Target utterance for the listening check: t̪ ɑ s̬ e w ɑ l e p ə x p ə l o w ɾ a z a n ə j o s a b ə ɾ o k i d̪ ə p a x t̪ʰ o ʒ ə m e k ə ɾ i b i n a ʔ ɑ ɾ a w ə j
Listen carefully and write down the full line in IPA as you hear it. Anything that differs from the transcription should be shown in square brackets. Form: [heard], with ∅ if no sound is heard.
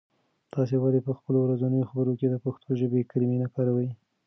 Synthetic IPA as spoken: t̪ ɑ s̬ e w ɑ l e p ə x p ə l o w ɾ a z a n ə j o [x] a b ə ɾ o k [e] d̪ ə p a x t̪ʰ o ʒ ə [b] e k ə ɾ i [m] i n a [k] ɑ ɾ a w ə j